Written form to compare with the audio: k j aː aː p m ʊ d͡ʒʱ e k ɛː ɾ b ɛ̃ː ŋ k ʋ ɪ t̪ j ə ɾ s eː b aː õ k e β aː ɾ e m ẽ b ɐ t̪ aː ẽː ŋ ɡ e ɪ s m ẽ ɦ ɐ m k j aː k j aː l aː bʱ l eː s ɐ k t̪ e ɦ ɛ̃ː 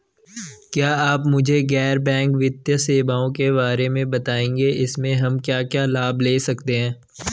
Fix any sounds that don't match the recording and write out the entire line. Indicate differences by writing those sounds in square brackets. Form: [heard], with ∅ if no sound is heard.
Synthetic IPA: k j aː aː p m ʊ d͡ʒʱ e [ɡ] ɛː ɾ b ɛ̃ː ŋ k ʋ ɪ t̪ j ə [∅] s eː b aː õ k e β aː ɾ e m ẽ b ɐ t̪ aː ẽː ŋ ɡ e ɪ s m ẽ ɦ ɐ m k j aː k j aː l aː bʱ l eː s ɐ k t̪ e ɦ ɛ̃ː